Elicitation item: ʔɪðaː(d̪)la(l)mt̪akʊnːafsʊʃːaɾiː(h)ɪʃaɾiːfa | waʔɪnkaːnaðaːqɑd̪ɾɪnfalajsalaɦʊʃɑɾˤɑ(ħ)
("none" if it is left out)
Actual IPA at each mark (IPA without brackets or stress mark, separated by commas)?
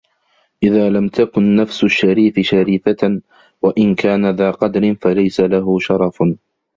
none, none, f, f